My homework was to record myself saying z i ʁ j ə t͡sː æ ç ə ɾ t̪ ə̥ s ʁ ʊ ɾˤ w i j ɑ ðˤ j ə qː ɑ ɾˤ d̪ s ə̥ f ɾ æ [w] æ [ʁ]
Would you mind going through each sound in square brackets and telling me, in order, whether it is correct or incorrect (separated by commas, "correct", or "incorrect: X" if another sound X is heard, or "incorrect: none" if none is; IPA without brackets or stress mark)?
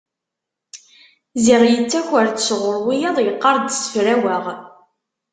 correct, correct